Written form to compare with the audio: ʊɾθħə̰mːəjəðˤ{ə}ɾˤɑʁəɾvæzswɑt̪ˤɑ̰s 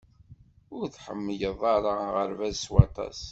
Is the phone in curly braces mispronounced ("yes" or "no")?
yes